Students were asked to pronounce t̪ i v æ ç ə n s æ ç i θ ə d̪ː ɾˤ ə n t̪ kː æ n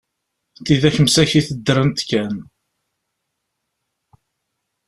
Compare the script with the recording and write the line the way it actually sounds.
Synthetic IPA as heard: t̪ i ð æ ç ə m s æ ç i θ ə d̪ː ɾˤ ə n t̪ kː æ n